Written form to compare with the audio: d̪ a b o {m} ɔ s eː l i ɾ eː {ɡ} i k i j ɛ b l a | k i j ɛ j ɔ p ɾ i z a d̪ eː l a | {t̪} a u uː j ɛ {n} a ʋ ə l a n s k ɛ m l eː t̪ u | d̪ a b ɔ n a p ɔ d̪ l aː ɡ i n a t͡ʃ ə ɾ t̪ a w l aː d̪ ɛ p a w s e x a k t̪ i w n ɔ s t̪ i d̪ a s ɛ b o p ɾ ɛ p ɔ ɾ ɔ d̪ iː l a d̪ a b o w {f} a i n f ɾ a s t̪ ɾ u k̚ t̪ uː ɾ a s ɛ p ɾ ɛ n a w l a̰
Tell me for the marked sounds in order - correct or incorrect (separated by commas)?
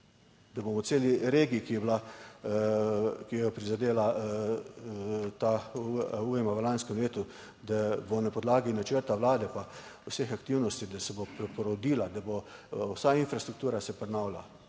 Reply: correct, correct, correct, incorrect, incorrect